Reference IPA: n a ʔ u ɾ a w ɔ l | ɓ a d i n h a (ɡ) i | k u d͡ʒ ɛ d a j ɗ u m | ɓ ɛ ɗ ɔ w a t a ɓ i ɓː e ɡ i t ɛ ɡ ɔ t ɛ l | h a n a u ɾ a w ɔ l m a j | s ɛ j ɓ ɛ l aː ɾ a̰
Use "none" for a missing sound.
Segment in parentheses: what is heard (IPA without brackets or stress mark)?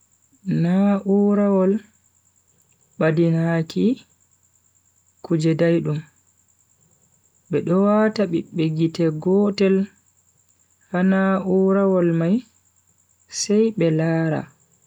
k